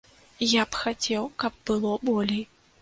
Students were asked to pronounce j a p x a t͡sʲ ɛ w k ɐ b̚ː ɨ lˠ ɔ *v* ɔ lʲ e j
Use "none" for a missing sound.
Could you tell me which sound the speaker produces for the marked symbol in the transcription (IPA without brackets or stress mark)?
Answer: b